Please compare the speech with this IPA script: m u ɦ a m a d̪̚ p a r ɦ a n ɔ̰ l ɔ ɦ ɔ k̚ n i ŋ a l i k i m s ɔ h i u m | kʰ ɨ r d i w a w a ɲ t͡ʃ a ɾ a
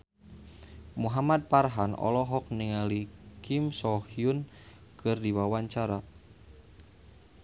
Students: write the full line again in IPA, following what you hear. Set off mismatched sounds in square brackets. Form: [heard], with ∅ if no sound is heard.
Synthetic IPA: m u ɦ a m a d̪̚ p a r ɦ a n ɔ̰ l ɔ ɦ ɔ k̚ n i ŋ a l i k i m s ɔ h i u [n] | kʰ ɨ r d i w a w a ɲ t͡ʃ a ɾ a